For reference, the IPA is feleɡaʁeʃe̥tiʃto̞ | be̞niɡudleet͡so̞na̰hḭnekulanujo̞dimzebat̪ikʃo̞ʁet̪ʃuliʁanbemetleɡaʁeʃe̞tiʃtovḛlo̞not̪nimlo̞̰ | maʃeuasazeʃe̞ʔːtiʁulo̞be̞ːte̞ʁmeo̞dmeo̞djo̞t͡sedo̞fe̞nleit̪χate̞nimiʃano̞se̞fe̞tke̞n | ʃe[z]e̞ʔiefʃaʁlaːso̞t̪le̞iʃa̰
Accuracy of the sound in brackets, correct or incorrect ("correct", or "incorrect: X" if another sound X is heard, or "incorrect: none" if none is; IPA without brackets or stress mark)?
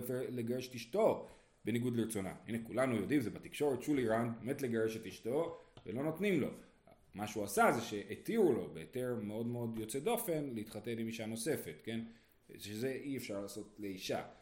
correct